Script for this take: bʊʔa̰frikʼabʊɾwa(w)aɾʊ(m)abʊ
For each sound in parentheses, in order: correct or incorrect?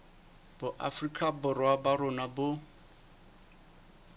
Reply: incorrect, incorrect

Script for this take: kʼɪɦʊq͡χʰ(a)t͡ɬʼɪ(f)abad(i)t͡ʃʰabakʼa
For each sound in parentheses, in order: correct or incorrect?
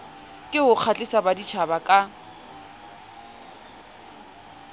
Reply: correct, incorrect, correct

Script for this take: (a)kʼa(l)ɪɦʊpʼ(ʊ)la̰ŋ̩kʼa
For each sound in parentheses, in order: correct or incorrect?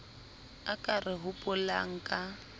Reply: correct, incorrect, correct

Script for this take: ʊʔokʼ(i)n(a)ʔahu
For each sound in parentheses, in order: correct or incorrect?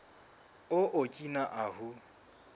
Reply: correct, correct

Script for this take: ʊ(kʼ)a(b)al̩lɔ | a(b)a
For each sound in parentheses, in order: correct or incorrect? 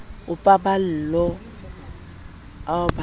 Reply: incorrect, correct, correct

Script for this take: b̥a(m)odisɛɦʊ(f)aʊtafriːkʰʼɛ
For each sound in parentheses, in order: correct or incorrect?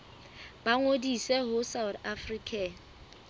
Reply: incorrect, incorrect

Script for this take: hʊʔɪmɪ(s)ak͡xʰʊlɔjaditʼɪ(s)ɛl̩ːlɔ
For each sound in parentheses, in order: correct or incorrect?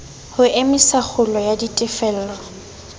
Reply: correct, incorrect

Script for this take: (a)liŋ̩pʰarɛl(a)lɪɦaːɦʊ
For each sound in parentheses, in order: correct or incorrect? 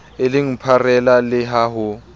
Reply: incorrect, correct

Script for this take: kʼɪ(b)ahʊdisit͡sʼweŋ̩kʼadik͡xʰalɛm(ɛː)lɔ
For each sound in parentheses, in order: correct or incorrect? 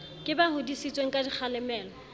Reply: correct, correct

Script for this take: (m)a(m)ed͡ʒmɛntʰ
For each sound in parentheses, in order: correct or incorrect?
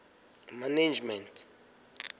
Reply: correct, incorrect

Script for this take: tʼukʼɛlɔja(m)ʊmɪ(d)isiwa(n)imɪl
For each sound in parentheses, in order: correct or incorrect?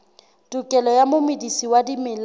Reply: correct, correct, incorrect

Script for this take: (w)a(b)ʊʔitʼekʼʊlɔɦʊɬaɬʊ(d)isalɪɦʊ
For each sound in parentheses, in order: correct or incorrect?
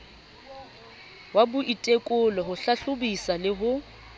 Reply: correct, correct, incorrect

